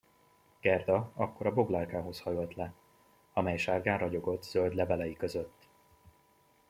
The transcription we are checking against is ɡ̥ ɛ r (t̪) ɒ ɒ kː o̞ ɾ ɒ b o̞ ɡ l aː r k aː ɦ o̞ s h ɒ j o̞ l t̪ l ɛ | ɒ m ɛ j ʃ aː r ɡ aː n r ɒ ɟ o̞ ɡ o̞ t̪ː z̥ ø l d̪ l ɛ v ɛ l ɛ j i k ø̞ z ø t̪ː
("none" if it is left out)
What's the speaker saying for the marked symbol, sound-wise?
d̪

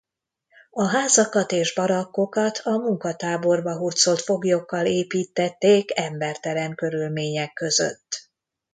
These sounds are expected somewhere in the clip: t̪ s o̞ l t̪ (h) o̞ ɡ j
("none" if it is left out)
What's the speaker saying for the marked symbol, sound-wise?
f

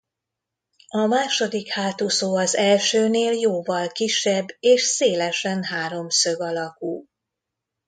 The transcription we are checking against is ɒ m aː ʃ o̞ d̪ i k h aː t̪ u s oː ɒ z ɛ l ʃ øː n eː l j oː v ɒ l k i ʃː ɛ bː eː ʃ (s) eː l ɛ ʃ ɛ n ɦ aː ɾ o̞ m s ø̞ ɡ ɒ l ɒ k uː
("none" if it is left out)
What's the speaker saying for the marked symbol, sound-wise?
s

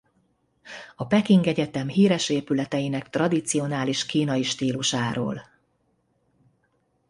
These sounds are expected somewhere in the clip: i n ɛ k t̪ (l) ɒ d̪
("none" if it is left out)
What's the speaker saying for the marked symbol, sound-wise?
r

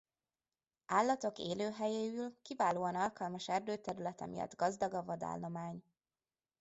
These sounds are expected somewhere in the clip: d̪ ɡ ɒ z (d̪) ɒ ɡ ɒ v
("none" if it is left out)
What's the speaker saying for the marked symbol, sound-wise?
d̪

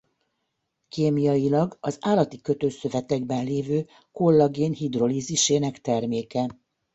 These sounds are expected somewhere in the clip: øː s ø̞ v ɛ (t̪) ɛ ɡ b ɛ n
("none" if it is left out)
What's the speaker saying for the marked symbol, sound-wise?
t̪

